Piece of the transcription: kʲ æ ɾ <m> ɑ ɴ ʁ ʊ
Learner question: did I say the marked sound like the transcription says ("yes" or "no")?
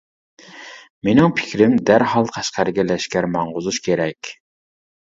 yes